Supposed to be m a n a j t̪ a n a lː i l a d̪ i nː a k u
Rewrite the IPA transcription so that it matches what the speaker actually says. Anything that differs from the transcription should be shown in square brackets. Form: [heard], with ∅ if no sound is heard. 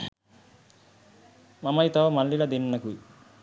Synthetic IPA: m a [m] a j t̪ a [m] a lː i l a d̪ i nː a k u

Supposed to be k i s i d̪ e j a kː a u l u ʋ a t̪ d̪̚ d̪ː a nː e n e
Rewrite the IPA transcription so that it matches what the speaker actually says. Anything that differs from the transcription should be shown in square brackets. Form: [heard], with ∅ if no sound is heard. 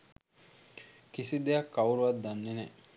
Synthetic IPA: k i s i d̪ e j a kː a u [ɾ] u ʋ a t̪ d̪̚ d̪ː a nː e n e

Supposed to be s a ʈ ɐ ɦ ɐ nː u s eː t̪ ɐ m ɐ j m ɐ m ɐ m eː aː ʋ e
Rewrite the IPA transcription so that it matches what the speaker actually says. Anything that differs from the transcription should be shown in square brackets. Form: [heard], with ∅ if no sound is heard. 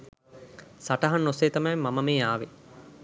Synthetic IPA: s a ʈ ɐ ɦ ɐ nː [o] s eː t̪ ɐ m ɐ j m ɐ m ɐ m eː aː ʋ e

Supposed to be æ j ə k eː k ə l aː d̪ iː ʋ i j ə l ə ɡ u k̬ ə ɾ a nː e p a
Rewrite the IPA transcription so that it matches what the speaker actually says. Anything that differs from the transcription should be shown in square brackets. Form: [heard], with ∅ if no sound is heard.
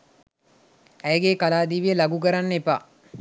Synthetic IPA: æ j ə [ɡ] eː k [a] l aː d̪ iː ʋ i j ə l [a] ɡ u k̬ ə ɾ a nː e p a

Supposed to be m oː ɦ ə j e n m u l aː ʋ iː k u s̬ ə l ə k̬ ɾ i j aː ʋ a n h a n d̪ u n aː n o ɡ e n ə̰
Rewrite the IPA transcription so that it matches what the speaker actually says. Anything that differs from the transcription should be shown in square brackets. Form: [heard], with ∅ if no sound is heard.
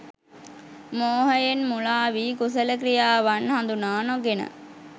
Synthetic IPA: m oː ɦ ə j e n m u l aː ʋ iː k u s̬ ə l ə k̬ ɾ i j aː ʋ a n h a n d̪ u n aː n o ɡ e n ə̰

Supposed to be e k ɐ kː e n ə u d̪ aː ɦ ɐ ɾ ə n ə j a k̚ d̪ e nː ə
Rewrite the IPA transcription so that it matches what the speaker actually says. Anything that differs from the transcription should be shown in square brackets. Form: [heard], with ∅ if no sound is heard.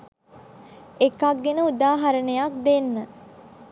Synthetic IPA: e k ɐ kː e n ə u d̪ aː ɦ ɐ ɾ ə n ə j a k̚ d̪ e nː ə

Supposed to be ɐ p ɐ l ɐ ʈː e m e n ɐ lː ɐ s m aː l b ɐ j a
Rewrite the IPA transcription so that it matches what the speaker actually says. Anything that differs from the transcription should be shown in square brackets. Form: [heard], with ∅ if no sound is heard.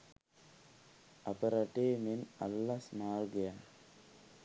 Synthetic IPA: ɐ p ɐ [ɾ] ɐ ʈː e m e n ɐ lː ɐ s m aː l [ɡ] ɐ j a

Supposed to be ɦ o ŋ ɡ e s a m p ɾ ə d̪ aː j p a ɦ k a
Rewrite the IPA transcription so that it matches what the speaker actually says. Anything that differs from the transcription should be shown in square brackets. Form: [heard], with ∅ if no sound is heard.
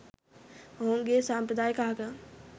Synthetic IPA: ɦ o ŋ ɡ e s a m p ɾ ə d̪ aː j [k] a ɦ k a

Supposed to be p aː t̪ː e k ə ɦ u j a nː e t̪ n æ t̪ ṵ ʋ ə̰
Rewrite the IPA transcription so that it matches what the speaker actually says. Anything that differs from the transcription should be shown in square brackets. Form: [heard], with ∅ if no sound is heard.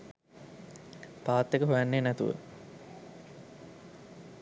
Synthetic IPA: p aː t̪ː e k ə ɦ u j a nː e [∅] n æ t̪ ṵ ʋ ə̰

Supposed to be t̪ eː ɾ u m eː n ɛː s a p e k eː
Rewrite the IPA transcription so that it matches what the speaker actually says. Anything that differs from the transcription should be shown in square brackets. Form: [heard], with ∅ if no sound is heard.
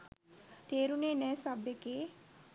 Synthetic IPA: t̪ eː ɾ u [n] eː n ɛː s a [b] e k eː

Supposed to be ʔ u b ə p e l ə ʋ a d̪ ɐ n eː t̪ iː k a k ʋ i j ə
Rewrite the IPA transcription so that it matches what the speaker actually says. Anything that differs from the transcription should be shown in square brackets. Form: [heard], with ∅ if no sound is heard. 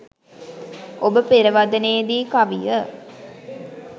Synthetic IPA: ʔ [o] b ə p e [ɾ] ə ʋ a d̪ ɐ n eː [d̪] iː k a [∅] ʋ i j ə

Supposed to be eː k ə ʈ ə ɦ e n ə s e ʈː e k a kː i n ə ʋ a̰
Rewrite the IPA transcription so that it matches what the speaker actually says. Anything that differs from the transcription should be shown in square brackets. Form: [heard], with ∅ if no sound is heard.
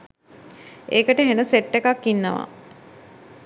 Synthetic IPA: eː k ə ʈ ə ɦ e n ə s e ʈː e k a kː i [nː] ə ʋ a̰

